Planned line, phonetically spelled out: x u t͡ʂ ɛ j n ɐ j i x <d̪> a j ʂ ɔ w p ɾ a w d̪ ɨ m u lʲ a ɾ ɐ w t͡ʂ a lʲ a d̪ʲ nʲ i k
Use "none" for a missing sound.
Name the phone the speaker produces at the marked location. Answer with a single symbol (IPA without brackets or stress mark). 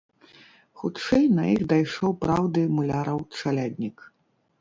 d̪